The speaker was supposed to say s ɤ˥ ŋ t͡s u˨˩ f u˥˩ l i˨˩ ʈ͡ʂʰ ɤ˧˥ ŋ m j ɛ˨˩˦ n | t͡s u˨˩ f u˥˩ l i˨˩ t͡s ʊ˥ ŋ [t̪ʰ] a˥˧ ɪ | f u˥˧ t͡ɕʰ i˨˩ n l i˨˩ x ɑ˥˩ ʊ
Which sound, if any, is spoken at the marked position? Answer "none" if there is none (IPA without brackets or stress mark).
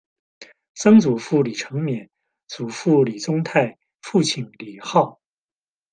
t̪ʰ